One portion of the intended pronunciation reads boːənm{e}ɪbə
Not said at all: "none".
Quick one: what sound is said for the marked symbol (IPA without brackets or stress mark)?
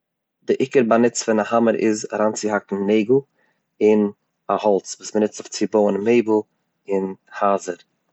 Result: e